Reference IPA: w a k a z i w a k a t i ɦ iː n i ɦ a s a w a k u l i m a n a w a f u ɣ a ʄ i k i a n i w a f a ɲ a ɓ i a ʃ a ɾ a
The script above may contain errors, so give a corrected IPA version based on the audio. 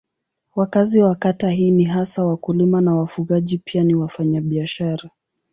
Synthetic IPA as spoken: w a k a z i w a k a t a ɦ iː n i ɦ a s a w a k u l i m a n a w a f u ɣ a ʄ i p i a n i w a f a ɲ a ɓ i a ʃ a ɾ a